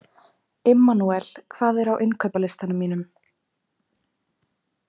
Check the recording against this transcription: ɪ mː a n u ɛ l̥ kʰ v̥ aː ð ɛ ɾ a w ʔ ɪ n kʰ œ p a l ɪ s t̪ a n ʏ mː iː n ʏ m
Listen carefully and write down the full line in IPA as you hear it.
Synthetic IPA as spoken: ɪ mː a n u ɛ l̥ kʰ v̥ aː ð ɛ ɾ a w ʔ ɪ n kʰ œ p a l ɪ s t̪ a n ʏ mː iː n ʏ m